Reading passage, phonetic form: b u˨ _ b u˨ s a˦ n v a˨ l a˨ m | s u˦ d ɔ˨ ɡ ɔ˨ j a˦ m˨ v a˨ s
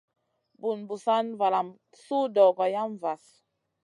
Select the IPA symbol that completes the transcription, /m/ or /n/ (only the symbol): n